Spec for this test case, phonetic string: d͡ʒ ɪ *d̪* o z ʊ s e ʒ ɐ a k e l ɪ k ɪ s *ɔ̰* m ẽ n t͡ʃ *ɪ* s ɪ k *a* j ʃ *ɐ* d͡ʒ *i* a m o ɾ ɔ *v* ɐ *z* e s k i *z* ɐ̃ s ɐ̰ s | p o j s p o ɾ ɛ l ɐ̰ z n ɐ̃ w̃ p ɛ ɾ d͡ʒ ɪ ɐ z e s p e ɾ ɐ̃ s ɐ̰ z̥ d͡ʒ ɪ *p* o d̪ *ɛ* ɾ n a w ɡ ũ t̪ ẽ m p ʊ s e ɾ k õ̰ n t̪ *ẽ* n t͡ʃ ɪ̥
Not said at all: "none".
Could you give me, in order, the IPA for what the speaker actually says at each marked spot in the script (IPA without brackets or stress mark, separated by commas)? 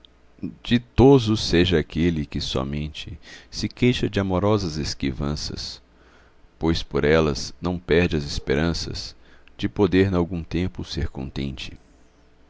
t̪, ɔ̰, ɪ, e, ɐ, ɪ, z, z, v, p, e, ẽ